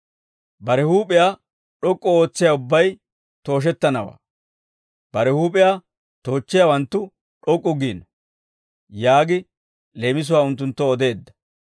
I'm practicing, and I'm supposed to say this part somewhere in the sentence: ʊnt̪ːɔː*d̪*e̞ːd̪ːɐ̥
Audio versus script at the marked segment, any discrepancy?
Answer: no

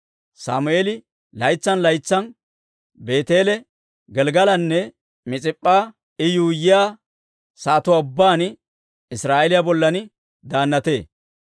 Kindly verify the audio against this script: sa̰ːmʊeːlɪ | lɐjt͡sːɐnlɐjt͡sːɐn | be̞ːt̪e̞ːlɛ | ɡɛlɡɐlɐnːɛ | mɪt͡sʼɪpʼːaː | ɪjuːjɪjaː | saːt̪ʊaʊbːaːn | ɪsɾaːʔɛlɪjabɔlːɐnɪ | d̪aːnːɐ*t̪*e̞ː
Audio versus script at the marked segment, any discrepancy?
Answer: no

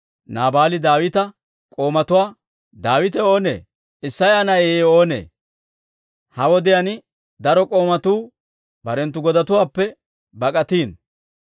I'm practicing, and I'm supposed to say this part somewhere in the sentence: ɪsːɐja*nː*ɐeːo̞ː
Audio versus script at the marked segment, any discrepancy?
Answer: yes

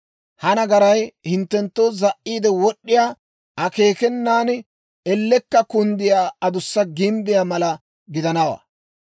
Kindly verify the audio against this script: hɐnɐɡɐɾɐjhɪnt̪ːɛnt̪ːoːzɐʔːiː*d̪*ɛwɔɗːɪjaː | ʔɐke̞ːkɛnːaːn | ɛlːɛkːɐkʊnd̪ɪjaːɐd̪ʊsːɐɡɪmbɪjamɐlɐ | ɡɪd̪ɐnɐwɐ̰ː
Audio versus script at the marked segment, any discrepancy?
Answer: no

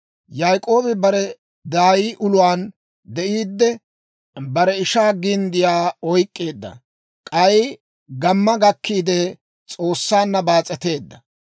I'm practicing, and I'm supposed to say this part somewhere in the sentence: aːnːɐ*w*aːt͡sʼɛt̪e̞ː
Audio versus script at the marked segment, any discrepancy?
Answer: yes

